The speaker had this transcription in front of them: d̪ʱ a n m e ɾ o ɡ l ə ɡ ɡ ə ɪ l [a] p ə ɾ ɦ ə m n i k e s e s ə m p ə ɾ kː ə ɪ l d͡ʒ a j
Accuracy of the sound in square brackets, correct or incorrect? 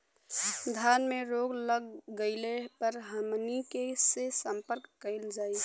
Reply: incorrect